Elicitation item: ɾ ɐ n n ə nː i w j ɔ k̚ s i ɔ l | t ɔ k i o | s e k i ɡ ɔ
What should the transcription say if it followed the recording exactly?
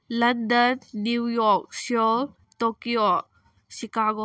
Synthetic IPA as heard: l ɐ n d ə nː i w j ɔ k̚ s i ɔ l | t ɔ k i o | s i k a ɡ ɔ

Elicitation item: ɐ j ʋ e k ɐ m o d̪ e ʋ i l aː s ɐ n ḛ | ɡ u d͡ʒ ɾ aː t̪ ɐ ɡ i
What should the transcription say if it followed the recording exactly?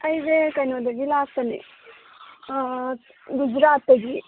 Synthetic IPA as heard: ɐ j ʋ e k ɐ n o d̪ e ʋ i l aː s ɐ n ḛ | ɡ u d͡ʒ ɾ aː t̪ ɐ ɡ i

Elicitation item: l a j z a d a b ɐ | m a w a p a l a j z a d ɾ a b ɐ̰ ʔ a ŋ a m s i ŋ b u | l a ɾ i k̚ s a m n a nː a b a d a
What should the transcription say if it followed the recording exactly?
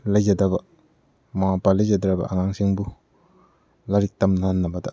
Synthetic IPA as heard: l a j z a d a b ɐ | m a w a p a l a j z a d ɾ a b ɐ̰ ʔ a ŋ a ŋ s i ŋ b u | l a ɾ i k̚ t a m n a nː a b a d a

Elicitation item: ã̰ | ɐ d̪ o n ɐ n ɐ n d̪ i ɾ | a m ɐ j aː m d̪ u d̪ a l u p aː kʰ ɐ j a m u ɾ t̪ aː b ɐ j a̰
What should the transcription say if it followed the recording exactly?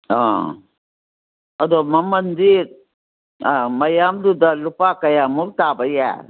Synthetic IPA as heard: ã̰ | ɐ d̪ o m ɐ m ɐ n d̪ i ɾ | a m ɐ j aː m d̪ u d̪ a l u p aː k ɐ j a m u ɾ t̪ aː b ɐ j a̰

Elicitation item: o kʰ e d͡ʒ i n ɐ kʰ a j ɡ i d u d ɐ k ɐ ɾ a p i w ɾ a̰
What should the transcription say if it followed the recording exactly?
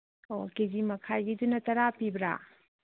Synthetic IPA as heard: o k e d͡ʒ i m ɐ kʰ a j ɡ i d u n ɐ t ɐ ɾ a p i b ɾ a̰

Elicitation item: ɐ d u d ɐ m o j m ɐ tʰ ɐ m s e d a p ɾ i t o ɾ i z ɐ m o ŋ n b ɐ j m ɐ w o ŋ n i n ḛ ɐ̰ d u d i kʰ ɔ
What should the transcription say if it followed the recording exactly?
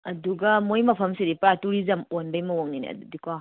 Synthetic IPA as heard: ɐ d u ɡ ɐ m o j m ɐ pʰ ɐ m s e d i p ɾ a t u ɾ i z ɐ m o n b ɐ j m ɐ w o ŋ n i n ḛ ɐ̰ d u d i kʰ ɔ

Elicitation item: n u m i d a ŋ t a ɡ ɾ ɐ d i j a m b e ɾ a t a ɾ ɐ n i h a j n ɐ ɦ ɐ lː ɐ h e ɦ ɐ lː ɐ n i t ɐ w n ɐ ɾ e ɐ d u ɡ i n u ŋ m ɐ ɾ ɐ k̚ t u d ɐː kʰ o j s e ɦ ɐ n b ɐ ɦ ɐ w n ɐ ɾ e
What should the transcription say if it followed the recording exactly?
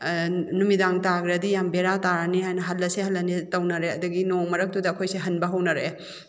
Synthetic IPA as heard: n u m i d a ŋ t a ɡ ɾ ɐ d i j a m b e ɾ a t a ɾ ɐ n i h a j n ɐ ɦ ɐ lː ɐ s e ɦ ɐ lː ɐ n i t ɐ w n ɐ ɾ e ɐ d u ɡ i n o ŋ m ɐ ɾ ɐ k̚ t u d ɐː kʰ o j s e ɦ ɐ n b ɐ ɦ ɐ w n ɐ ɾ e

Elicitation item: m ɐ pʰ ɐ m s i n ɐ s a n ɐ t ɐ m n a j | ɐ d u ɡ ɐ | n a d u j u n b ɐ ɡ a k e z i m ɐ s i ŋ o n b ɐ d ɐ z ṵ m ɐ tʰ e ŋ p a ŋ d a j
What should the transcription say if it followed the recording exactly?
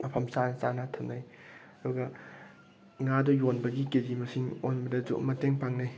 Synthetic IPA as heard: m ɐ pʰ ɐ m s a n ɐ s a n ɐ tʰ ɐ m n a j | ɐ d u ɡ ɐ | ŋ a d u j o n b ɐ ɡ i k e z i m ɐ s i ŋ o n b ɐ d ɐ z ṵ m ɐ t e ŋ p a ŋ n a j

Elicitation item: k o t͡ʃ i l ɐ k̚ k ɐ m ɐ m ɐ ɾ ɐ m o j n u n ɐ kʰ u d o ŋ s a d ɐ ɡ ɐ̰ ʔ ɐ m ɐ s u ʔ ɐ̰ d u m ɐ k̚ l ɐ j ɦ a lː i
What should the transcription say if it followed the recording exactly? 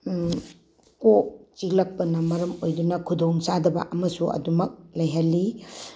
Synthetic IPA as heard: k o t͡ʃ i l ɐ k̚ p ɐ n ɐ m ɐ ɾ ɐ m o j d u n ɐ kʰ u d o ŋ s a d ɐ b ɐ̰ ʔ ɐ m ɐ s u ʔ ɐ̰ d u m ɐ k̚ l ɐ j ɦ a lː i

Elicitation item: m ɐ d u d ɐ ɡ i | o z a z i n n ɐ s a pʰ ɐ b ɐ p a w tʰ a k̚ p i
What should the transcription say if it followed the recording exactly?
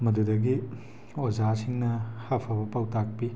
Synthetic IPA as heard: m ɐ d u d ɐ ɡ i | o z a s i ŋ n ɐ h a pʰ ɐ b ɐ p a w t a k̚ p i

